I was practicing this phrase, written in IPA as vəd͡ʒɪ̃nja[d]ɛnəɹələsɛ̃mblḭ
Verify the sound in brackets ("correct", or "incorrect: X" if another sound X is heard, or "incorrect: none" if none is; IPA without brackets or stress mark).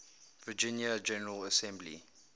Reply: incorrect: d͡ʒ